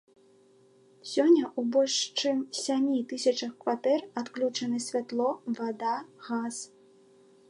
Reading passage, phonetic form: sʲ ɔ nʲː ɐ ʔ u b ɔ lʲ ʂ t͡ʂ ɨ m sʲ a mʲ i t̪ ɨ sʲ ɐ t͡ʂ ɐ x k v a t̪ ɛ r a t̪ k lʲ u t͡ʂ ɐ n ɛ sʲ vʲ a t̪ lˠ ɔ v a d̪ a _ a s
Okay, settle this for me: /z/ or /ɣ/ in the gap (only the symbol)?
ɣ